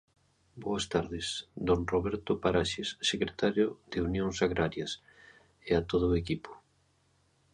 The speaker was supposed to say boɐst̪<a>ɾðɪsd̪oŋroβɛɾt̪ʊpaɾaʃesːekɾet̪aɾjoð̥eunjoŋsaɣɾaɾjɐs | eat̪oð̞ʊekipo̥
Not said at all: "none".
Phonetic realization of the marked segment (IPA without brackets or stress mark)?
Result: a